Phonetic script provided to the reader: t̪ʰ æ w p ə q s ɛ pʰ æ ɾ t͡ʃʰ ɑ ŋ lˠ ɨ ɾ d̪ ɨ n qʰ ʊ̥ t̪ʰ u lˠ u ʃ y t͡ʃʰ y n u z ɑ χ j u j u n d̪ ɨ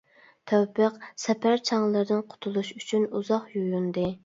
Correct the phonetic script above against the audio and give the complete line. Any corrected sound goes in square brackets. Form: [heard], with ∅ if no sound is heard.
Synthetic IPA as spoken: t̪ʰ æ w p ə q s ɛ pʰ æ ɾ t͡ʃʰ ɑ ŋ lˠ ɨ ɾ d̪ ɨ n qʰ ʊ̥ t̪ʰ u lˠ u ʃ y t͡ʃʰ y n u z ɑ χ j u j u n d̪ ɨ